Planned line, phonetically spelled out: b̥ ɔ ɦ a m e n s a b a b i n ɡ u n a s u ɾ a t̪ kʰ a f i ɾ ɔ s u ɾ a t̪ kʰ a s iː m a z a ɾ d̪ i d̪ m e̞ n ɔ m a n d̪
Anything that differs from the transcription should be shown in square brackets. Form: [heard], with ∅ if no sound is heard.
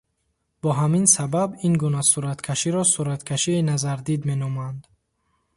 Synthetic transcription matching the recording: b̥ ɔ ɦ a m [i] n s a b a b i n ɡ u n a s u ɾ a t̪ kʰ a [ʃ] i ɾ ɔ s u ɾ a t̪ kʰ a [ʃ] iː [n] a z a ɾ d̪ i d̪ m e̞ n ɔ m a n d̪